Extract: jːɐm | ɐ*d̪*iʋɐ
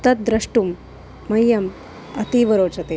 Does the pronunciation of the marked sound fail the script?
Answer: yes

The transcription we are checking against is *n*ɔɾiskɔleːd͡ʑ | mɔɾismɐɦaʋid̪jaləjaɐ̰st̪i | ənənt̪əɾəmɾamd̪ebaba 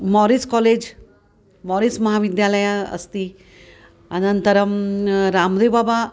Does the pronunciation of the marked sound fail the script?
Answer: yes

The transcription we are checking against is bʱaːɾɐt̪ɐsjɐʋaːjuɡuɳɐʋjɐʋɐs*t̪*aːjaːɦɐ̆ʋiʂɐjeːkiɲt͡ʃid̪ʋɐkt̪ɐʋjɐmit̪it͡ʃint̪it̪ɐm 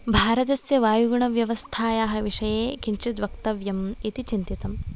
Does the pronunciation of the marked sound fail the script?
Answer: yes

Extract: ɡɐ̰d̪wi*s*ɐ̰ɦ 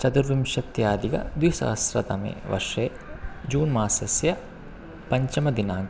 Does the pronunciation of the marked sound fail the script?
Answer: no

